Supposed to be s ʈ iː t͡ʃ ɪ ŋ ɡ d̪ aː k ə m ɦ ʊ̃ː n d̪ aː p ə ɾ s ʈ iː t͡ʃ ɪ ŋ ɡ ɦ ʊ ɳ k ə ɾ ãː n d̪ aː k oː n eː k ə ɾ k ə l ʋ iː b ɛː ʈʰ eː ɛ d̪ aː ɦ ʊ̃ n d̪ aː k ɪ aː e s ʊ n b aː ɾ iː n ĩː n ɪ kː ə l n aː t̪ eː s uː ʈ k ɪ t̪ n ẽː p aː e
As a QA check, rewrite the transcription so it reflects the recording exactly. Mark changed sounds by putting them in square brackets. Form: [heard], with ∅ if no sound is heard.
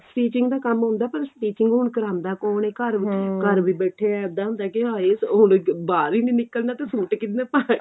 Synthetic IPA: s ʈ iː t͡ʃ ɪ ŋ ɡ d̪ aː k ə m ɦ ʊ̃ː n d̪ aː p ə ɾ s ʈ iː t͡ʃ ɪ ŋ ɡ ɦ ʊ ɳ k ə ɾ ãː n d̪ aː k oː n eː k ə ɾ k ə [ɾ] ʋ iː b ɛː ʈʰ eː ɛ d̪ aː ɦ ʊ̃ n d̪ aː k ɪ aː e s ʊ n b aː ɾ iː n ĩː n ɪ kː ə l n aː t̪ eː s uː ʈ k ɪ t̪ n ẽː p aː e

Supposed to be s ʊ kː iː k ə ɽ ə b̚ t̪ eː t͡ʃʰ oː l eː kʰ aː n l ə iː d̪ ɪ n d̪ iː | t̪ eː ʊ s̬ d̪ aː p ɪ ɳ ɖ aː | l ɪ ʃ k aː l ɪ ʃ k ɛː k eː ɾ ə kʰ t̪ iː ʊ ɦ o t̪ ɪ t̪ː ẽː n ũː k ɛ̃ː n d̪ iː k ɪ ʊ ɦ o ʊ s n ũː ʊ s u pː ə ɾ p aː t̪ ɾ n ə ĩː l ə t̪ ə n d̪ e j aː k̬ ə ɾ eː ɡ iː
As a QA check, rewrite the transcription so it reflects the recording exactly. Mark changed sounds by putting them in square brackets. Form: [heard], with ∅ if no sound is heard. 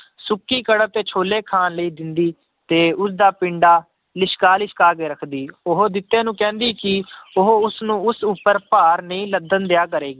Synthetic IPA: s ʊ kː iː k ə ɽ ə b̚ t̪ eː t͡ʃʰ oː l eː kʰ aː n l ə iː d̪ ɪ n d̪ iː | t̪ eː ʊ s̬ d̪ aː p ɪ ɳ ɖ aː | l ɪ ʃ k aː l ɪ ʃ k [aː] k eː ɾ ə kʰ [d̪] iː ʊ ɦ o [d̪] ɪ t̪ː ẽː n ũː k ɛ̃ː n d̪ iː k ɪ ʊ ɦ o ʊ s n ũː ʊ s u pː ə ɾ p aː [∅] ɾ n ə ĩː l ə [d̪] ə n d̪ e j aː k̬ ə ɾ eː ɡ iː

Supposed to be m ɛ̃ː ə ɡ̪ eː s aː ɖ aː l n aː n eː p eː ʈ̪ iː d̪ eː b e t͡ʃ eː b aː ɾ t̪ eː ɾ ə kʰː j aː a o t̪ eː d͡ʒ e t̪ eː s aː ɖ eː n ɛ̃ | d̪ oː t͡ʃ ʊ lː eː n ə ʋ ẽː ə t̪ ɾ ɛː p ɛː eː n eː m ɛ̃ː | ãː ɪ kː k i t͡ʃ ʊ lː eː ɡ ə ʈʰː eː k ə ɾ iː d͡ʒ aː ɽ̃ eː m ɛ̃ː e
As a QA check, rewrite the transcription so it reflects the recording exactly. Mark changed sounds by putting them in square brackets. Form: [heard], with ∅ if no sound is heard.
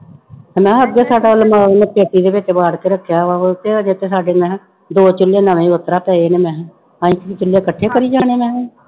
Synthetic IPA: m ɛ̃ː ə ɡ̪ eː s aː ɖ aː l [m] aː n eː p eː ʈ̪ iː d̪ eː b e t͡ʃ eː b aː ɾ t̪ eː ɾ ə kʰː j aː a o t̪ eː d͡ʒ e t̪ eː s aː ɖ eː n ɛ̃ | d̪ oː t͡ʃ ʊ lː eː n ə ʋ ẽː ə t̪ ɾ [aː] p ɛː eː n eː m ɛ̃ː | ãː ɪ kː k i t͡ʃ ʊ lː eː [k] ə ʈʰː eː k ə ɾ iː d͡ʒ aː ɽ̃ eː m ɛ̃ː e

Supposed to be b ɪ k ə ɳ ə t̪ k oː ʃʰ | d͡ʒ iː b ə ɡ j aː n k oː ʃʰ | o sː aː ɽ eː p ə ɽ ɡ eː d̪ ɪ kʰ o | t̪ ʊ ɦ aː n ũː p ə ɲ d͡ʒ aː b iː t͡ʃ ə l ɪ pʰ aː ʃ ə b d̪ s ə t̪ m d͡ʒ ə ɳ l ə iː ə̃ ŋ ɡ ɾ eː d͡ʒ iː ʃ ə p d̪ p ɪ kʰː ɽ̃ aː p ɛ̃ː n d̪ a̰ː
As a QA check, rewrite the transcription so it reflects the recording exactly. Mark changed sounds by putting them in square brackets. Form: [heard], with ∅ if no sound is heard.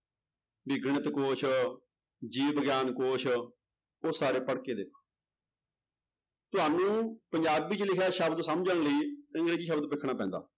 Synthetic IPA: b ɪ [ɡ] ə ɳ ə t̪ k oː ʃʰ | d͡ʒ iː b ə ɡ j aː n k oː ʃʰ | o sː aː [ɾ] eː p ə ɽ [k] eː d̪ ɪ kʰ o | t̪ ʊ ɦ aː n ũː p ə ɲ d͡ʒ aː b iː t͡ʃ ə l ɪ [kʰ] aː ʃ ə b d̪ s ə [∅] m d͡ʒ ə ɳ l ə iː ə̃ ŋ ɡ ɾ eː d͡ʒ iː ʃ ə [b] d̪ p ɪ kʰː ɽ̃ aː p ɛ̃ː n d̪ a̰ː

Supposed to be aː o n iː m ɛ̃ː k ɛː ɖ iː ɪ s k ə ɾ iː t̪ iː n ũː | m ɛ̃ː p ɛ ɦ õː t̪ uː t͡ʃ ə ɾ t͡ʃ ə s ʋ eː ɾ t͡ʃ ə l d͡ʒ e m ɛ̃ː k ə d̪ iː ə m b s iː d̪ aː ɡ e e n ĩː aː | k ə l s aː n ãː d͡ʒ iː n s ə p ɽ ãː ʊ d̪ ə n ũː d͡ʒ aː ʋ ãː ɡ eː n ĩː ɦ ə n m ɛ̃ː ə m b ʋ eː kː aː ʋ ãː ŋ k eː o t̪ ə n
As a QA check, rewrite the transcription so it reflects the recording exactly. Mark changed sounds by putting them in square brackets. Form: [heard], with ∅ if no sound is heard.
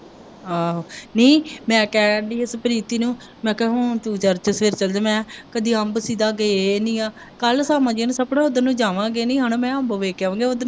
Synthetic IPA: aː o n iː m ɛ̃ː k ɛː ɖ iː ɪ s [p] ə ɾ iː t̪ iː n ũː | m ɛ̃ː [k] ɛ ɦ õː t̪ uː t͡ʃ ə ɾ t͡ʃ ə s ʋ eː ɾ t͡ʃ ə l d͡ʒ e m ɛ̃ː k ə d̪ iː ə m b s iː d̪ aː ɡ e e n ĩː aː | k ə l s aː [m] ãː d͡ʒ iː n s ə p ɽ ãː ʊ d̪ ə n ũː d͡ʒ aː ʋ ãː ɡ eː n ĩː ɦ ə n m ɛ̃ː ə m b ʋ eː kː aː ʋ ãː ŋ [ɡ] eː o [d̪] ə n

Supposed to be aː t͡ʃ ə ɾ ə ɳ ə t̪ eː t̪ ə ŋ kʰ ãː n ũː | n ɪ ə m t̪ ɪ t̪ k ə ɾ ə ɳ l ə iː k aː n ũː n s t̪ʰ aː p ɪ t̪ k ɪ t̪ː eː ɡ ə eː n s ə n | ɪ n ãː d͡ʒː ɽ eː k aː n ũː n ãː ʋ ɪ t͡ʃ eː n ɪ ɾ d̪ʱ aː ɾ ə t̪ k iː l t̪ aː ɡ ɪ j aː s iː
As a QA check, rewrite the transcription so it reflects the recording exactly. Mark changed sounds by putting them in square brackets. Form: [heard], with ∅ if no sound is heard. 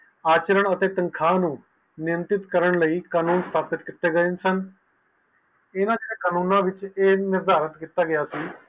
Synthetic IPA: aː t͡ʃ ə ɾ ə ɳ ə t̪ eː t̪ ə ŋ kʰ [aː] n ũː | n ɪ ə m t̪ ɪ t̪ k ə ɾ ə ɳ l ə iː k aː n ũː n s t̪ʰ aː p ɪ t̪ k ɪ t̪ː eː ɡ ə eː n s ə n | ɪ n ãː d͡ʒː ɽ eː k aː n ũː n ãː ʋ ɪ t͡ʃ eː n ɪ ɾ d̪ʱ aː ɾ ə t̪ k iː [∅] t̪ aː ɡ ɪ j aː s iː

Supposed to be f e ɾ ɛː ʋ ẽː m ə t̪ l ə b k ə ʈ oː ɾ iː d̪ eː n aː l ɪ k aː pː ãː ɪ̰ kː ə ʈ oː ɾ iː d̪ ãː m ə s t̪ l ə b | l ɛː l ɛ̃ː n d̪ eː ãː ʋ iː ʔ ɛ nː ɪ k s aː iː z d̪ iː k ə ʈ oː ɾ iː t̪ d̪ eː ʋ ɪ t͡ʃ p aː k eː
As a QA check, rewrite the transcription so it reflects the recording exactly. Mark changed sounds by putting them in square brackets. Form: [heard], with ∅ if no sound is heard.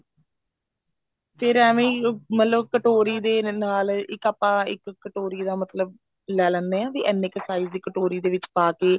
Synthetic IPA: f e ɾ ɛː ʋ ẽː m ə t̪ l ə b k ə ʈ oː ɾ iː d̪ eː n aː l ɪ k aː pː ãː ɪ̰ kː ə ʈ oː ɾ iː d̪ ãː m ə [∅] t̪ l ə b | l ɛː l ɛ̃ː n d̪ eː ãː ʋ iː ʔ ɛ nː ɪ k s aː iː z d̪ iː k ə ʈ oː ɾ iː [∅] d̪ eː ʋ ɪ t͡ʃ p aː k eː

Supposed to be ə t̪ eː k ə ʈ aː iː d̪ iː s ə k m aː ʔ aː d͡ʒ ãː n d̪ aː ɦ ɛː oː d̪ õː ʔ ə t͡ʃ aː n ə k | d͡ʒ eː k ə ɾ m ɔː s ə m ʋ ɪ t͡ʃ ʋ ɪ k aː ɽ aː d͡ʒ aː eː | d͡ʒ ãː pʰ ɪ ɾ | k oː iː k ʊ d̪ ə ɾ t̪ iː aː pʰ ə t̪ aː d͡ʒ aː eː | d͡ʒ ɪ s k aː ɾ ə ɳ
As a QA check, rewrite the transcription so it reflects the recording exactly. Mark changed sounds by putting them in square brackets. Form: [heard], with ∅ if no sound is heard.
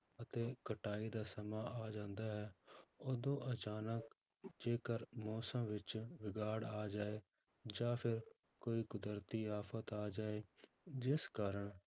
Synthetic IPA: ə t̪ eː k ə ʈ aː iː d̪ [aː] s ə [∅] m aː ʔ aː d͡ʒ ãː n d̪ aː ɦ ɛː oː d̪ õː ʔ ə t͡ʃ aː n ə k | d͡ʒ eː k ə ɾ m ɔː s ə m ʋ ɪ t͡ʃ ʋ ɪ [ɡ] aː ɽ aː d͡ʒ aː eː | d͡ʒ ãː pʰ ɪ ɾ | k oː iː k ʊ d̪ ə ɾ t̪ iː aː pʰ ə t̪ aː d͡ʒ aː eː | d͡ʒ ɪ s k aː ɾ ə ɳ

